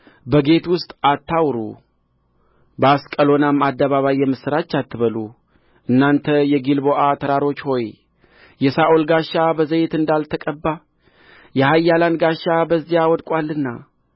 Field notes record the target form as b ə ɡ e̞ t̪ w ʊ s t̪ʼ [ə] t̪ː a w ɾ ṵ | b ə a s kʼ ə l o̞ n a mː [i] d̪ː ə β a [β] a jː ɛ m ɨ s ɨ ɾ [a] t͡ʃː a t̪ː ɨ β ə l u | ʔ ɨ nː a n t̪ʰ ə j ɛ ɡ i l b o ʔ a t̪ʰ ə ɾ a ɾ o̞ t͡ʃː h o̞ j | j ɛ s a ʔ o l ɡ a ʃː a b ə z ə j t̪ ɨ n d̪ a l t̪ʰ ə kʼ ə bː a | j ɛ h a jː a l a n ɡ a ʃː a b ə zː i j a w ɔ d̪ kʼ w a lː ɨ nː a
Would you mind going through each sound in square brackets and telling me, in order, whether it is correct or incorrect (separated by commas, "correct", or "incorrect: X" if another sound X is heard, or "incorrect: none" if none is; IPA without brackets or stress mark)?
incorrect: a, incorrect: a, correct, correct